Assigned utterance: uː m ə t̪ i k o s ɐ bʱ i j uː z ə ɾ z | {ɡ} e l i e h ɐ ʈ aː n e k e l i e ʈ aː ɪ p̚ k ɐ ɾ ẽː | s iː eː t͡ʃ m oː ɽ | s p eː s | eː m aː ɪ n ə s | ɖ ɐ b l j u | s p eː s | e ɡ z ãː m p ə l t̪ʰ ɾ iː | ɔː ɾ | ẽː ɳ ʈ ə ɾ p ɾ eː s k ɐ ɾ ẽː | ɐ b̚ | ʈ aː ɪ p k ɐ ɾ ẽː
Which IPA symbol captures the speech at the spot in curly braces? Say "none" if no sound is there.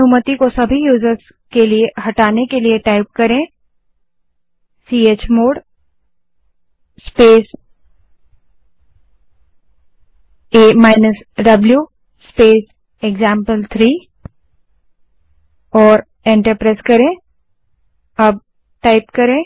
k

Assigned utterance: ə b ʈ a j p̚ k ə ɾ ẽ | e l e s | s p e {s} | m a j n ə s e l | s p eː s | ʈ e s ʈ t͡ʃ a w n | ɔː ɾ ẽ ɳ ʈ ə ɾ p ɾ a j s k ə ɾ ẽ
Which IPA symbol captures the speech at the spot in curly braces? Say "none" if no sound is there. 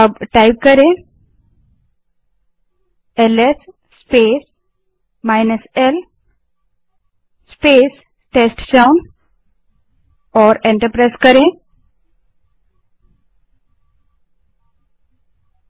s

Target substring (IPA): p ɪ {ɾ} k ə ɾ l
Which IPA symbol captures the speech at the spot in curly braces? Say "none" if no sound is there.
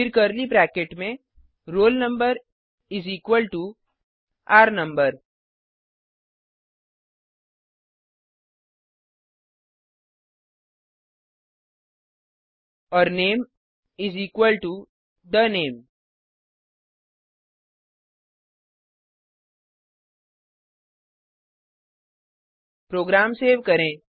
ɾ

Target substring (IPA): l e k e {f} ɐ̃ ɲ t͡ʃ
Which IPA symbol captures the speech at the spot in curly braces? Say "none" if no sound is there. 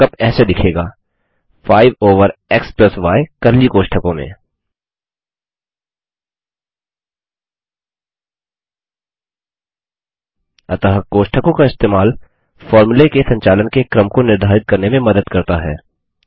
s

